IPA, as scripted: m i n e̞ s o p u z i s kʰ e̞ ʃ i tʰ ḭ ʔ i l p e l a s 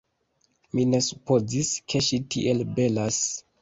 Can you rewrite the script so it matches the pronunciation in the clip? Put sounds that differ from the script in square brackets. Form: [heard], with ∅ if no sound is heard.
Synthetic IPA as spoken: m i n e̞ s [u] p [o] z i s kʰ e̞ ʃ i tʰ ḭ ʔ [e] l [b] e l a s